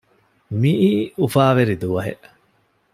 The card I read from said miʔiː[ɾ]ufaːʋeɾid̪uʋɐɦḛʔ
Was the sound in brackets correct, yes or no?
no